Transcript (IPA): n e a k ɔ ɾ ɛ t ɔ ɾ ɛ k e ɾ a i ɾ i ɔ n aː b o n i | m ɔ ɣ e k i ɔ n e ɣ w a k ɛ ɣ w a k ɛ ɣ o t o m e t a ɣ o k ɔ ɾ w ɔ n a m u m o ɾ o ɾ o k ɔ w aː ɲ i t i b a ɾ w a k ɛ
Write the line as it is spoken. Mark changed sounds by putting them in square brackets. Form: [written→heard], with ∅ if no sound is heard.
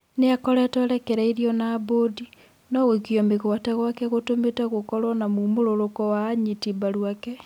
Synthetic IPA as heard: n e a k ɔ ɾ ɛ t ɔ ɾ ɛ k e ɾ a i ɾ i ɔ n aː b o [n→d] i | [m→n] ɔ ɣ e k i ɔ [n→m] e ɣ w a [k→t] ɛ ɣ w a k ɛ ɣ o t o m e t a ɣ o k ɔ ɾ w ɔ n a m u m o ɾ o ɾ o k ɔ w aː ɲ i t i b a ɾ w a k ɛ